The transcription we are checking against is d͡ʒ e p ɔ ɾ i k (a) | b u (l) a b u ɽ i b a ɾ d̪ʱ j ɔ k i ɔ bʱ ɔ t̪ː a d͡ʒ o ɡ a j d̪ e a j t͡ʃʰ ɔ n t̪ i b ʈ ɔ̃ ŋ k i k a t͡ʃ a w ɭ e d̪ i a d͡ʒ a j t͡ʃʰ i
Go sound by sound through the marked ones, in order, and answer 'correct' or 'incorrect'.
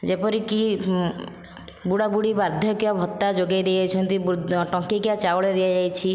incorrect, incorrect

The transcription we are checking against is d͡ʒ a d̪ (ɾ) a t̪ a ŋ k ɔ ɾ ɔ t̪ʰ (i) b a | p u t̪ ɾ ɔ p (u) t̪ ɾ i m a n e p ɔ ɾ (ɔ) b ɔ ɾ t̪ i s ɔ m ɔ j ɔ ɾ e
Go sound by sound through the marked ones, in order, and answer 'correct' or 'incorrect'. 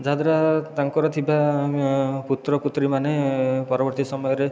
correct, correct, correct, correct

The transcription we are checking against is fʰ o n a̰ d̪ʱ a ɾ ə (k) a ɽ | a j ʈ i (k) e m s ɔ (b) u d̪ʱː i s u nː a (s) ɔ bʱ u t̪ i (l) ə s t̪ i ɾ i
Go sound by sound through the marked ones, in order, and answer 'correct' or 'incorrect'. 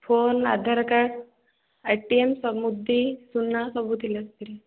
correct, incorrect, incorrect, correct, correct

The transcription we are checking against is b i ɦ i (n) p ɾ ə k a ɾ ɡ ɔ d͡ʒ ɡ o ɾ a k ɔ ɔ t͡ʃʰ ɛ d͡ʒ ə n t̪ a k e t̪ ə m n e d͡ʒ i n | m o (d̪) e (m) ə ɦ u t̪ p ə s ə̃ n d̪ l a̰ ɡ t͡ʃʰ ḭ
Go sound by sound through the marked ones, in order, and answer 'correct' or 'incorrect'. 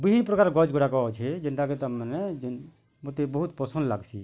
correct, incorrect, incorrect

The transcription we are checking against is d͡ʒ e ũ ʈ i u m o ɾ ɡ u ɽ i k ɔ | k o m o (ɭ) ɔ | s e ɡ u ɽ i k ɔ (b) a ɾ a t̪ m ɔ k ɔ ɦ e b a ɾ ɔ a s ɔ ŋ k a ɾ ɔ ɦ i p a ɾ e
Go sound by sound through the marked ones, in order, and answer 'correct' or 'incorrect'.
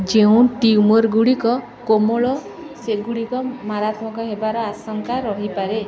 correct, incorrect

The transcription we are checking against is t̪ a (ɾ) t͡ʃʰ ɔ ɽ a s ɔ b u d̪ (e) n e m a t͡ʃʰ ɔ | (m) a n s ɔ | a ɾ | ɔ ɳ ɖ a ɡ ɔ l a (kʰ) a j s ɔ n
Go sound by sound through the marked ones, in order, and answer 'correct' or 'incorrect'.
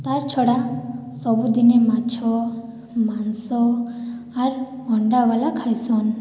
correct, incorrect, correct, correct

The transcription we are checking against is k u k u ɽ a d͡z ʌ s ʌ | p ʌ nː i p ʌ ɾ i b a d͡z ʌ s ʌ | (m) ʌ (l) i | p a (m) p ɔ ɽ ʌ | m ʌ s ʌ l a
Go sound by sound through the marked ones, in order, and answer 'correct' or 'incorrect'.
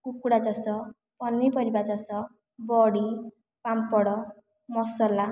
incorrect, incorrect, correct

